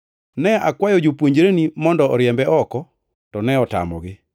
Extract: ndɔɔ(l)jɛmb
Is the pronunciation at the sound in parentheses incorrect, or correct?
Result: incorrect